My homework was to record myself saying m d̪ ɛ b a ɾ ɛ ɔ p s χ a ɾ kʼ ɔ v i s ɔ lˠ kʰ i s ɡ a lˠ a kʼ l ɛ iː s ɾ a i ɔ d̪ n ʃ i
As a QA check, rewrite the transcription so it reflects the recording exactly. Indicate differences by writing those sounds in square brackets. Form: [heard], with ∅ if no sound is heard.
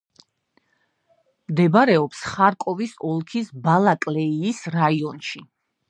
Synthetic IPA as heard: m d̪ ɛ b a ɾ ɛ ɔ p s χ a ɾ kʼ ɔ v i s ɔ lˠ kʰ i s [b] a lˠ a kʼ l ɛ iː s ɾ a i ɔ [∅] n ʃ i